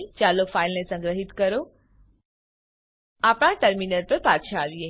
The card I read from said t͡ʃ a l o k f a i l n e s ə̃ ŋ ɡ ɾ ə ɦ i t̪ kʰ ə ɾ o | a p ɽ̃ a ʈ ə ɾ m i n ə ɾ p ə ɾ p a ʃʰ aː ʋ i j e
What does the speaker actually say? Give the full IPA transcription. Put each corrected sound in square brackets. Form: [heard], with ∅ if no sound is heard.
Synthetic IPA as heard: t͡ʃ a l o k f a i l n e s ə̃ ŋ ɡ ɾ ə ɦ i t̪ [k] ə ɾ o | a p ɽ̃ a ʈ ə ɾ m i n ə ɾ p ə ɾ p a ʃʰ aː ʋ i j e

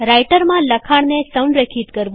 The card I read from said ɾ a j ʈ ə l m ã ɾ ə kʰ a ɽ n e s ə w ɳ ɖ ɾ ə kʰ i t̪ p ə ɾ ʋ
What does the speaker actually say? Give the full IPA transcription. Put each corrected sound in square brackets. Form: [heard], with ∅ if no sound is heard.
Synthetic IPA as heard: ɾ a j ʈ ə [ɾ] m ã [l] ə kʰ a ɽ n e s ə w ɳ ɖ ɾ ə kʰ i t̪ [k] ə ɾ ʋ

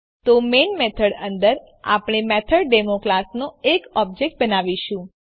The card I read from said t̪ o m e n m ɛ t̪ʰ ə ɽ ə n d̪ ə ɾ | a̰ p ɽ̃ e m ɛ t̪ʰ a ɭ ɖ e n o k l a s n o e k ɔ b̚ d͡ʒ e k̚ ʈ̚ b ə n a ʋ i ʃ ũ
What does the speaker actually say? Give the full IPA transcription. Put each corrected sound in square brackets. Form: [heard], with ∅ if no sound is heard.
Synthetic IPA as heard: t̪ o m e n m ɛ t̪ʰ ə ɽ ə n d̪ ə ɾ | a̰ p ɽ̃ e m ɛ t̪ʰ [ə] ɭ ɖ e [m] o k l a s n o e k ɔ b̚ d͡ʒ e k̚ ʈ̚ b ə n a ʋ i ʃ ũ

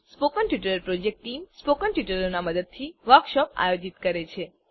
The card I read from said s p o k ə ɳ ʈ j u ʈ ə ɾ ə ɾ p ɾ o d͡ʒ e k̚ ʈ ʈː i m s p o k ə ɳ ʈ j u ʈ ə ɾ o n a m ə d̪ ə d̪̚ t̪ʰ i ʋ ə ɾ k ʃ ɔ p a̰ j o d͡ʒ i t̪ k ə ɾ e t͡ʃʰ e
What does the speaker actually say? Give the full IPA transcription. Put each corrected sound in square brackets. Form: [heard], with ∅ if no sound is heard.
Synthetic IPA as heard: s p o k ə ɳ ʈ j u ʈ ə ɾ ə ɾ p ɾ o d͡ʒ e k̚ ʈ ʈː i m s p o k ə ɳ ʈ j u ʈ ə ɾ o n a m ə d̪ ə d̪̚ t̪ʰ i ʋ ə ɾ k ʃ ɔ p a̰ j o d͡ʒ i t̪ k ə ɾ e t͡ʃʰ e

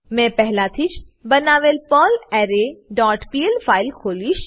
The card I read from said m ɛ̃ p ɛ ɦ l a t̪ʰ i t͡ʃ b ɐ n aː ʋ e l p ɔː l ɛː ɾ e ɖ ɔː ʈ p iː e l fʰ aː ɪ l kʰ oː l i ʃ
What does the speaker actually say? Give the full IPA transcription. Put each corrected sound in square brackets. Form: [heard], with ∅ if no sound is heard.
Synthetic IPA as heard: m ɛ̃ p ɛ ɦ l a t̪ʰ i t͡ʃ b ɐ n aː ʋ e l p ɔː l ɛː ɾ e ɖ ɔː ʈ p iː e l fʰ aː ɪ l kʰ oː l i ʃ

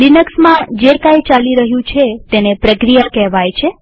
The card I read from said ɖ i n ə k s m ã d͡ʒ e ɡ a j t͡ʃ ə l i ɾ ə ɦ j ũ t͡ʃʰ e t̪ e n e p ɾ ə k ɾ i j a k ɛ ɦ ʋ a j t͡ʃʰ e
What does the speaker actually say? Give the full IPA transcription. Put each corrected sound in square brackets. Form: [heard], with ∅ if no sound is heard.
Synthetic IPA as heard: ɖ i n ə k s m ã d͡ʒ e [k] a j t͡ʃ [a] l i ɾ ə ɦ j ũ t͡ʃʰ e t̪ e n e p ɾ ə k ɾ i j a k ɛ ɦ ʋ a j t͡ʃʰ e

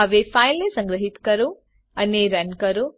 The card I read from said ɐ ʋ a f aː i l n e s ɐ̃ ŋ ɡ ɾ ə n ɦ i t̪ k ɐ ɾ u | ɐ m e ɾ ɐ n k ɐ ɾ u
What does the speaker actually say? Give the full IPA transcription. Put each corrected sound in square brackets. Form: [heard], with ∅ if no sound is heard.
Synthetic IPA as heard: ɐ ʋ [e] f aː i l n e s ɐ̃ ŋ ɡ ɾ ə [∅] ɦ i t̪ k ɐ ɾ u | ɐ [n] e ɾ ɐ n k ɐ ɾ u

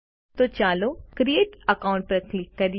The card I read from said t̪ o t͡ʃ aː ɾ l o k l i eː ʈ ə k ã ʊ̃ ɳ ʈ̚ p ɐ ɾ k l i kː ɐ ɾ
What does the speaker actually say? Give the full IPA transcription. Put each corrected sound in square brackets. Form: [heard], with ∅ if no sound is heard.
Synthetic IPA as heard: t̪ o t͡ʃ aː [∅] l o k [ɾ] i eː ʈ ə k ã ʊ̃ ɳ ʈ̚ p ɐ ɾ k l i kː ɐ ɾ

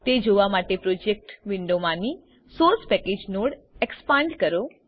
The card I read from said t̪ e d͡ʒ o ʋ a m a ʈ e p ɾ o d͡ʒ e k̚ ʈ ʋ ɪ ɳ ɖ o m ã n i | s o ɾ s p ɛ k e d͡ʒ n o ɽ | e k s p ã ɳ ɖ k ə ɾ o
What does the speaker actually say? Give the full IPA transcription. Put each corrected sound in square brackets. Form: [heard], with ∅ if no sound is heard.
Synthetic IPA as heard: t̪ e d͡ʒ o ʋ a m a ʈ e p ɾ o d͡ʒ e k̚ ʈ ʋ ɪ ɳ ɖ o m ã n i | s o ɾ s p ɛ k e d͡ʒ n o ɽ | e k s p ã ɳ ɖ k ə ɾ o

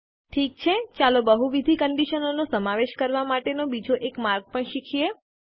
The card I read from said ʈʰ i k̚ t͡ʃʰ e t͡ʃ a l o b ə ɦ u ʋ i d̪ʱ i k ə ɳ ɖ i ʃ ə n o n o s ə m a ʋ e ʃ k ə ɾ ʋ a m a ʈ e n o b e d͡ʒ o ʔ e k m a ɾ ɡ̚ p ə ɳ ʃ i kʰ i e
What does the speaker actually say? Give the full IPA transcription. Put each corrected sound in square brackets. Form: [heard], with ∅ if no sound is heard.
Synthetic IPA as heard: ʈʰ i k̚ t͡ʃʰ e t͡ʃ a l o b ə ɦ u ʋ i d̪ʱ i k ə ɳ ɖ i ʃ ə n o n o s ə m a ʋ e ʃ k ə ɾ ʋ a m a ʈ e n o b [i] d͡ʒ o ʔ e k m a ɾ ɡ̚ p ə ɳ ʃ i kʰ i e

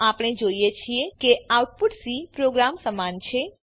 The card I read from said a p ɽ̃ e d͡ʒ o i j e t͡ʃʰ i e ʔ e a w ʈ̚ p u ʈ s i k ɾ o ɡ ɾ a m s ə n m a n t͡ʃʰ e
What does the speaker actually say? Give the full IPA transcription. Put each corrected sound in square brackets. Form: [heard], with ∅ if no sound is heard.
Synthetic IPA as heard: a p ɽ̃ e d͡ʒ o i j e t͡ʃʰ i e [k] e a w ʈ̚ p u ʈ s i [p] ɾ o ɡ ɾ a m s ə [∅] m a n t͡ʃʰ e

